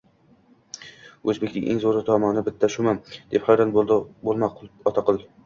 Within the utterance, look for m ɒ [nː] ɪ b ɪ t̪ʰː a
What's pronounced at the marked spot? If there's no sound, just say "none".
n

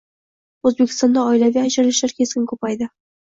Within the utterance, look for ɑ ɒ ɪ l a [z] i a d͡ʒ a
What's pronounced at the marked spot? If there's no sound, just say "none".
v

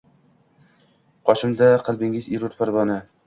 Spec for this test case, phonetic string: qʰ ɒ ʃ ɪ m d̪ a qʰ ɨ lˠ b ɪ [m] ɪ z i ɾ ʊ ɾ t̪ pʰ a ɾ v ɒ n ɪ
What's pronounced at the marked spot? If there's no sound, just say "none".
ŋ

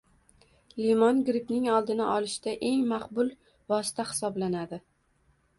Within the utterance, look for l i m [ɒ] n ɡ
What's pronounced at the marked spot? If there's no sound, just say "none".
ɒ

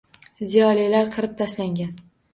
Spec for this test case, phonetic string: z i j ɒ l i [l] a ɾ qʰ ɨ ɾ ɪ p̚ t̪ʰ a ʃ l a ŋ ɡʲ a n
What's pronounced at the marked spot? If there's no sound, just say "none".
l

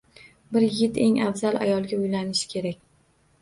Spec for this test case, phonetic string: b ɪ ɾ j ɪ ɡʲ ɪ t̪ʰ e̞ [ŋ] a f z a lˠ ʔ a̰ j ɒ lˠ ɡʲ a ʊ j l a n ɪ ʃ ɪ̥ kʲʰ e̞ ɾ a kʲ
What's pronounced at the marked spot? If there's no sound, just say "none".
ŋ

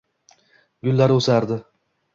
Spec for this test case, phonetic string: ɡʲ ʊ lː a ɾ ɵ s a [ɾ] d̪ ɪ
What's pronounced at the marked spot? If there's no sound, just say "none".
ɾ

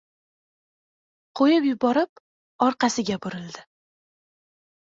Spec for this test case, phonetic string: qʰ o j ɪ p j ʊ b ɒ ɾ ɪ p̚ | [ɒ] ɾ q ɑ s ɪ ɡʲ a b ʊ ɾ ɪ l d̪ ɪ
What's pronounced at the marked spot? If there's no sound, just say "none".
ɒ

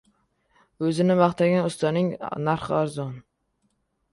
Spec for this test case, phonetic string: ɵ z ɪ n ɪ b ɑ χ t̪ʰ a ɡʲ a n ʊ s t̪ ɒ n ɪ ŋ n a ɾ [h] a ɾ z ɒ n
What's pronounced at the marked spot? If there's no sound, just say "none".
χ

